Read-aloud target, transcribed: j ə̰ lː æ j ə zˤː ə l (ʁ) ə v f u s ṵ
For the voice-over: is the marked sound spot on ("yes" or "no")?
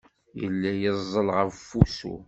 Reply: yes